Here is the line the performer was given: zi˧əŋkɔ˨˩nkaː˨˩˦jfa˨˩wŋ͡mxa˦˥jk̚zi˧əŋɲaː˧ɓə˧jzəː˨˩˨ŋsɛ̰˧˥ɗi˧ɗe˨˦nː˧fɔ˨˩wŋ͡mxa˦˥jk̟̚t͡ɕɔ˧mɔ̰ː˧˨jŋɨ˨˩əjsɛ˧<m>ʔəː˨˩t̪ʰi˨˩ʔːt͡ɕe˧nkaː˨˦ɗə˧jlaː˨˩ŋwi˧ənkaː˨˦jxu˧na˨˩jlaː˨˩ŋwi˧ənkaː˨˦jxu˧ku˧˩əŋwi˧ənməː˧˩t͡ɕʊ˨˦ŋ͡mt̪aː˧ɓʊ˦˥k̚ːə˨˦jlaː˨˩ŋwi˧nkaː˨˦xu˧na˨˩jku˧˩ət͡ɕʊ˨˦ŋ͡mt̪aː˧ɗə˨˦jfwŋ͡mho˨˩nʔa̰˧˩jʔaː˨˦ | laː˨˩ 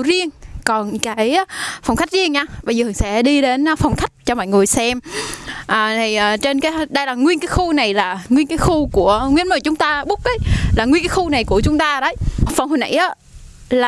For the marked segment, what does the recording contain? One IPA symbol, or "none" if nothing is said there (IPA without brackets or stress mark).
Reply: m